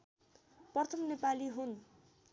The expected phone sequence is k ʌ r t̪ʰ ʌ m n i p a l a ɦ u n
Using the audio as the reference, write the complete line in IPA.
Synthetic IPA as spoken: p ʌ r t̪ʰ ʌ m n e p a l i ɦ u n

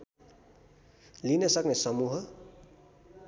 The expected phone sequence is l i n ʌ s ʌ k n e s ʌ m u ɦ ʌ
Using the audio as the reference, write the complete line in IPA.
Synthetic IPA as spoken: l i n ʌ s ʌ k n e s ʌ m u ɦ ʌ

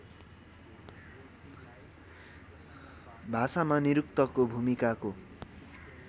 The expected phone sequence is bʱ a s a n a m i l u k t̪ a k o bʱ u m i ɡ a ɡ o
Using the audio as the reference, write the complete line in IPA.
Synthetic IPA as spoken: bʱ a s a m a n i ɾ u k t̪ ʌ k o bʱ u m i k a k o

